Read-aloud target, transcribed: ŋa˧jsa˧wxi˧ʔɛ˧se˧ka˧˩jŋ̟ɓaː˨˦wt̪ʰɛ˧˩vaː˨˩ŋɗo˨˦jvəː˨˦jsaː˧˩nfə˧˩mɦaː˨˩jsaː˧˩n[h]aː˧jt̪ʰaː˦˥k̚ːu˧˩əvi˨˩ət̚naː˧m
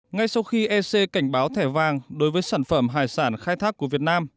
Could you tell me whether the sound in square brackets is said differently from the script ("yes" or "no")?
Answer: yes